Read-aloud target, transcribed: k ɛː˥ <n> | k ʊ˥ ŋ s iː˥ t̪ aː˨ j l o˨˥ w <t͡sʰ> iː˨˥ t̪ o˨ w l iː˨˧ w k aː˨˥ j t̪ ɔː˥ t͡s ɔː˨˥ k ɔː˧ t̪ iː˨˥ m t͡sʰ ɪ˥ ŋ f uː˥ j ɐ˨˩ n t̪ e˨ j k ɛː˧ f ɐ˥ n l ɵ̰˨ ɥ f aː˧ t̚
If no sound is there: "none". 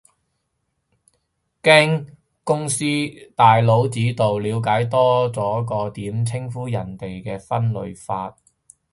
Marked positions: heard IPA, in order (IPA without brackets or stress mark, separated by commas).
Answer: ŋ, t͡s